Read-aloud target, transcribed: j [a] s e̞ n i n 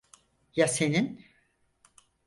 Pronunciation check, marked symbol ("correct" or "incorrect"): correct